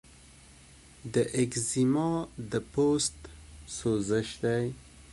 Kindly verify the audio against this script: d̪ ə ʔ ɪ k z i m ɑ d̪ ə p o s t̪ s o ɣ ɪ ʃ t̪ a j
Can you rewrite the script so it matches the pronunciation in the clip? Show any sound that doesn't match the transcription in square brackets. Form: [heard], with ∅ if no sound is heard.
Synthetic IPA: d̪ ə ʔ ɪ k z i m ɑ d̪ ə p o s t̪ s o [z] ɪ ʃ [d̪] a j